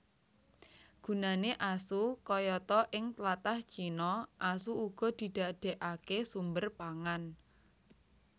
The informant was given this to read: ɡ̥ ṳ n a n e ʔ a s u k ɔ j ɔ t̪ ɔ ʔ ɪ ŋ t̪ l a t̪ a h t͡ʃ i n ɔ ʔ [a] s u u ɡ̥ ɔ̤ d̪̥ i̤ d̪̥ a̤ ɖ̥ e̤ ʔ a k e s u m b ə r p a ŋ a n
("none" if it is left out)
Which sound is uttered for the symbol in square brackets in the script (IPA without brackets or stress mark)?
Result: a